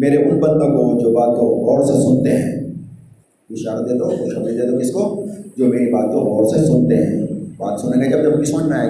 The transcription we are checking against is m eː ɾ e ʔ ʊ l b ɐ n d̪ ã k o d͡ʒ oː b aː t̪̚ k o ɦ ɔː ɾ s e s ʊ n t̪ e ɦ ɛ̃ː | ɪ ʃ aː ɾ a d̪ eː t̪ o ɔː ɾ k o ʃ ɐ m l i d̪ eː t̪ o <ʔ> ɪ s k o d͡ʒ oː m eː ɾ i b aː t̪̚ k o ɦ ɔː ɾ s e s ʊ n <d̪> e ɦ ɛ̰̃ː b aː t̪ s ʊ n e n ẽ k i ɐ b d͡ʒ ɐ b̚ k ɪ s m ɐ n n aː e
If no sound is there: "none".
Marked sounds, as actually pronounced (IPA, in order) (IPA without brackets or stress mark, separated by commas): k, t̪